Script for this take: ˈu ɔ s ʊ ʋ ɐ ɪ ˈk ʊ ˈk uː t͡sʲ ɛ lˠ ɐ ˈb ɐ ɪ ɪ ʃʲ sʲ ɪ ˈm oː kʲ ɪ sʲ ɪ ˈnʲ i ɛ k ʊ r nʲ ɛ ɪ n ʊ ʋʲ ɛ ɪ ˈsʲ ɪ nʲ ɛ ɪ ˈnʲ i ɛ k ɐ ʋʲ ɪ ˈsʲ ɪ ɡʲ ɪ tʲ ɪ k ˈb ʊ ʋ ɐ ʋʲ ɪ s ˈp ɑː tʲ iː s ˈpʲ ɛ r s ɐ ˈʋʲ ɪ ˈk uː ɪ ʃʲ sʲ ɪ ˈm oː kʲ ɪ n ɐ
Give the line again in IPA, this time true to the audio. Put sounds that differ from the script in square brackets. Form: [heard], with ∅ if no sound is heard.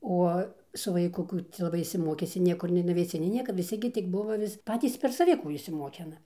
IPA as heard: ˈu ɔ s ʊ ʋ ɐ ɪ ˈk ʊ ˈk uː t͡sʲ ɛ lˠ ɐ ˈb ɐ ɪ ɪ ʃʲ sʲ ɪ ˈm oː kʲ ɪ sʲ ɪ ˈnʲ i ɛ k ʊ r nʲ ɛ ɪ n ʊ ʋʲ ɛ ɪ ˈsʲ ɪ nʲ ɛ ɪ ˈnʲ i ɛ k ɐ ʋʲ ɪ ˈsʲ ɪ ɡʲ ɪ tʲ ɪ k ˈb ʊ ʋ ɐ ʋʲ ɪ s ˈp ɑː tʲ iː s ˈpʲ ɛ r s ɐ ˈʋʲ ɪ ˈk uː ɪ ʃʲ sʲ ɪ ˈm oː kʲ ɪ n ɐ